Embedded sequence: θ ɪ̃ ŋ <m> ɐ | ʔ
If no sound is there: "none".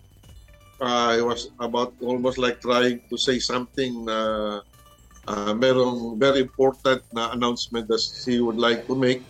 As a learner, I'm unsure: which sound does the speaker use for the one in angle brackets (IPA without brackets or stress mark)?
n